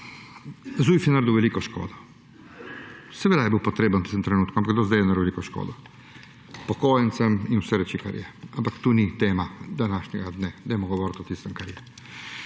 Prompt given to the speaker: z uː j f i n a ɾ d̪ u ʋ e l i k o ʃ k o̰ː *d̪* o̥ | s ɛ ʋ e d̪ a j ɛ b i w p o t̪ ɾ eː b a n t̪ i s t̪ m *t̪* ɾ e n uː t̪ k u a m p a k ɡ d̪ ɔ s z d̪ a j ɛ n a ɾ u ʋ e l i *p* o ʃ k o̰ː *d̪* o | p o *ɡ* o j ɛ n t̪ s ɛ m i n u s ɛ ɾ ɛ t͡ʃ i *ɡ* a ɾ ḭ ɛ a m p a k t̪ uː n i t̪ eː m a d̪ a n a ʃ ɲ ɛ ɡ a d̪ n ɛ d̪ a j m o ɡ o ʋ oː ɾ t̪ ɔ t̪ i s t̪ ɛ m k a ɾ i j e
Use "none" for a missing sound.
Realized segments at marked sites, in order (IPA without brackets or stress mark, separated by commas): d̪, t̪, k, d̪, k, k